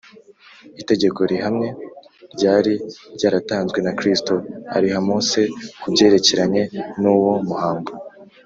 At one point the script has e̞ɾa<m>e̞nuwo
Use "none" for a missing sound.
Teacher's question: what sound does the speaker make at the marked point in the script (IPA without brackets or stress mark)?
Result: ɲ